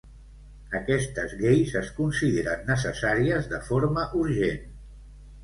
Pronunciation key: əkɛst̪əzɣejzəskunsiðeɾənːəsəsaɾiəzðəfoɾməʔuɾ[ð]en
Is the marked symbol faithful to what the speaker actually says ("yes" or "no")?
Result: no